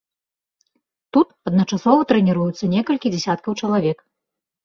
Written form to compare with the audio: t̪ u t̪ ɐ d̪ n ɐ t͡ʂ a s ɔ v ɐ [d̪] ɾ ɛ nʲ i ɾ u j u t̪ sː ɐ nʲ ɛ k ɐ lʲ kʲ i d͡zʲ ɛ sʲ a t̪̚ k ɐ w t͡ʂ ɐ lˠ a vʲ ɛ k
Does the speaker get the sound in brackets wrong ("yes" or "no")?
yes